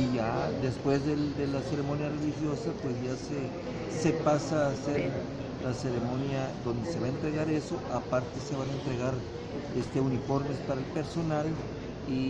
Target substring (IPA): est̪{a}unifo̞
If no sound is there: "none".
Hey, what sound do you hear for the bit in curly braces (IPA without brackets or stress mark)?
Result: e